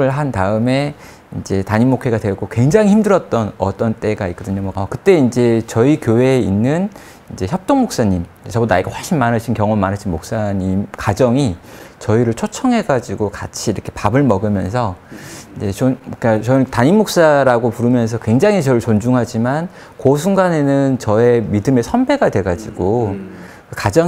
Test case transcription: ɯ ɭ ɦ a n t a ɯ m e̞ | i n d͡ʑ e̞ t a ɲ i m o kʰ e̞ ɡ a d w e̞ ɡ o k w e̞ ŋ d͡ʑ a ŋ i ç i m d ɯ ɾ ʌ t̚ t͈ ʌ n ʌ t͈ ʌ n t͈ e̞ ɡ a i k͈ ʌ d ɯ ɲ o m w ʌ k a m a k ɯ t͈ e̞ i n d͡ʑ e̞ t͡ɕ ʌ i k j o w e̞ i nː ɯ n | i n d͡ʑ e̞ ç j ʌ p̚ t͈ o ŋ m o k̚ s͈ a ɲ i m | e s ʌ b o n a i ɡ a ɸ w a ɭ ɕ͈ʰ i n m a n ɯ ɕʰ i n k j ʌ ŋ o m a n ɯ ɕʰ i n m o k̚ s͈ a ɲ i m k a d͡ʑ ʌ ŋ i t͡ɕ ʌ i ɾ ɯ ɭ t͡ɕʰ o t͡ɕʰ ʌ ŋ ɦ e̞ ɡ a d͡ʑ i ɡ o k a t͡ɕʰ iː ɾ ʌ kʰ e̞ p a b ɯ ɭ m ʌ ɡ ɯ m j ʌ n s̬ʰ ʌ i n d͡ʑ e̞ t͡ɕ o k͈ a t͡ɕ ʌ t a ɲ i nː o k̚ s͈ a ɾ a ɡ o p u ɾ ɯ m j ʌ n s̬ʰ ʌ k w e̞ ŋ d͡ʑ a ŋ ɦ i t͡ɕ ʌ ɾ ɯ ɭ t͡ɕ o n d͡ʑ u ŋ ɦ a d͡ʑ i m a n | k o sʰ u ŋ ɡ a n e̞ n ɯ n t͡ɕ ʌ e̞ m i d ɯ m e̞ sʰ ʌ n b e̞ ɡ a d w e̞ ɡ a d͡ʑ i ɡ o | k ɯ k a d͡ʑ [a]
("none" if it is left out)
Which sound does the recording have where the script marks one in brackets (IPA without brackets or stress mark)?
ʌ